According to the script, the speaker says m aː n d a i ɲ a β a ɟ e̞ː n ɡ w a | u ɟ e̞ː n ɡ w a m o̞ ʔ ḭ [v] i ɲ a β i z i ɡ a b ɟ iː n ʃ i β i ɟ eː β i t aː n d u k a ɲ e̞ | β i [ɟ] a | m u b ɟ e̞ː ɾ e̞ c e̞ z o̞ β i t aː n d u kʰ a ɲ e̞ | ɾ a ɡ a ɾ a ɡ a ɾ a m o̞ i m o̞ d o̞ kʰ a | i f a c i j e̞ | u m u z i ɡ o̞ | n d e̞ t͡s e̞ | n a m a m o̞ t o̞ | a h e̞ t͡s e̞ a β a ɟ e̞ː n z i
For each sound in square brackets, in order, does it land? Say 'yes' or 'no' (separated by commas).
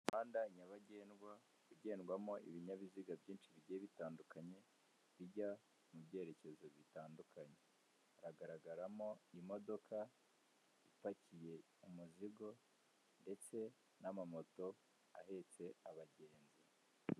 no, yes